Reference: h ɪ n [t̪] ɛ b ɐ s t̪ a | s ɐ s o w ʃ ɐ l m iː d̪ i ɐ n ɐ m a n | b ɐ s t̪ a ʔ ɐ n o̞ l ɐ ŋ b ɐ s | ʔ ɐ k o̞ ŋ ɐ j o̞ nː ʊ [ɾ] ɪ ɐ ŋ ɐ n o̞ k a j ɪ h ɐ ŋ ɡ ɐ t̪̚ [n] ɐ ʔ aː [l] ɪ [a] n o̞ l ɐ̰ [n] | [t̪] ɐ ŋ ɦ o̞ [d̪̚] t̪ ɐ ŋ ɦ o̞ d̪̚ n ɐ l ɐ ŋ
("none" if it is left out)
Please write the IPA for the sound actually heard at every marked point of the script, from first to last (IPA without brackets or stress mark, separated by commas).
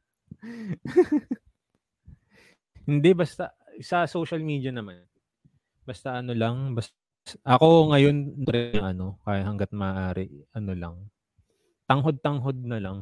d̪, ɾ, m, ɾ, ɐ, ŋ, t̪, d̪̚